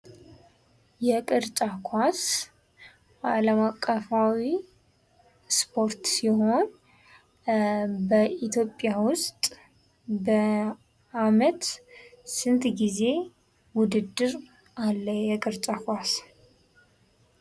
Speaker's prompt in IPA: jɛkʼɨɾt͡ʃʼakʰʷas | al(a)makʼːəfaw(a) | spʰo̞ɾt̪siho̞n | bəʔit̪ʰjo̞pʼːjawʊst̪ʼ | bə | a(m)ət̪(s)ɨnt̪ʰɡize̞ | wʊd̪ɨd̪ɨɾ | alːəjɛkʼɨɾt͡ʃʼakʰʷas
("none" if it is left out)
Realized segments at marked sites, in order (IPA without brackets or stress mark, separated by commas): ə, i, m, s